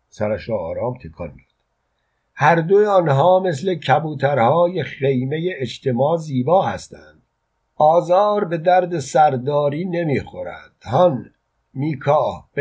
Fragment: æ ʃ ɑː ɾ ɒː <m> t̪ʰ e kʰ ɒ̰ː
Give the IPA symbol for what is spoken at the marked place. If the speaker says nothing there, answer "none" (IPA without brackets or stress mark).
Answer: m